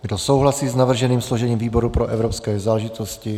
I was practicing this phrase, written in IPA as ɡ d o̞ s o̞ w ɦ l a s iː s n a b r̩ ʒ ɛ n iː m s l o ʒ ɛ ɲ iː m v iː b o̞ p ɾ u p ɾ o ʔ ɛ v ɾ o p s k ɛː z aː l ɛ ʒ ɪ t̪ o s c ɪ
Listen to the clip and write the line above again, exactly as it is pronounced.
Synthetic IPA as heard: ɡ d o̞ s o̞ w ɦ l a s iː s n a v r̩ ʒ ɛ n iː m s l o ʒ ɛ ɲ iː m v iː b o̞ ɾ u p ɾ o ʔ ɛ v ɾ o p s k ɛː z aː l ɛ ʒ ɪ t̪ o s c ɪ